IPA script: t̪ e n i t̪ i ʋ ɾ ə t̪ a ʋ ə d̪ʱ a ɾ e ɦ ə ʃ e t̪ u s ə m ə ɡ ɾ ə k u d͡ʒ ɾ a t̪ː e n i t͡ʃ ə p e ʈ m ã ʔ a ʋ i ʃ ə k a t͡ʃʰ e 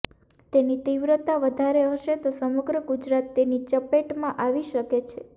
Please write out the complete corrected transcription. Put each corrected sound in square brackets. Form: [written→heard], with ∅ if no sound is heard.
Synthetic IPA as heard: t̪ e n i t̪ i ʋ ɾ ə t̪ a ʋ ə d̪ʱ a ɾ e ɦ ə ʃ e t̪ [u→o] s ə m ə ɡ ɾ ə [k→ɡ] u d͡ʒ ɾ a t̪ː e n i t͡ʃ ə p e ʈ m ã ʔ a ʋ i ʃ ə k [a→e] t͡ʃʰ e